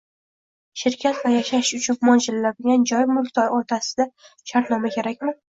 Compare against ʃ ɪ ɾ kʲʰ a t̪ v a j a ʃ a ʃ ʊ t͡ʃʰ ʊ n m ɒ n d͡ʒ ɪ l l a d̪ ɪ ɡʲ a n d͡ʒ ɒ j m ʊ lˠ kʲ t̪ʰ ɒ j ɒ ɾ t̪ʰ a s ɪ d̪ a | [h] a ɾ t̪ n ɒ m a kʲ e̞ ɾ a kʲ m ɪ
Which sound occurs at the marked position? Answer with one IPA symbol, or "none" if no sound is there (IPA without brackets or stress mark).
ʃ